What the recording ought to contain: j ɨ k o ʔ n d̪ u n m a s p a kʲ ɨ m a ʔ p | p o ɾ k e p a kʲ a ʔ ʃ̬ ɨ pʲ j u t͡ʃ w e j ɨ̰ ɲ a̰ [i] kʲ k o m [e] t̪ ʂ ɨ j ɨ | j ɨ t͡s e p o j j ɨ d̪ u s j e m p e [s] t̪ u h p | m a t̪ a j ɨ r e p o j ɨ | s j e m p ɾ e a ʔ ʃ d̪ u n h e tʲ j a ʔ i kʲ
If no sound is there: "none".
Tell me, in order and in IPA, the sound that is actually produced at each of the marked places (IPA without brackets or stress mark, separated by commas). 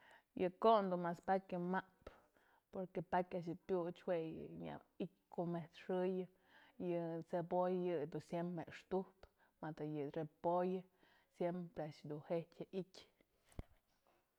i, e, ʂ